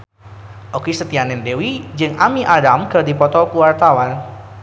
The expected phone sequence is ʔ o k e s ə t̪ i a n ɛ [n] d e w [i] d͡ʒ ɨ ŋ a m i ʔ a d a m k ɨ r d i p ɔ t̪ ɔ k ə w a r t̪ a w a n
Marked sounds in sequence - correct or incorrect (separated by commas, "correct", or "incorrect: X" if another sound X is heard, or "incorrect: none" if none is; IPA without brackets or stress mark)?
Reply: correct, correct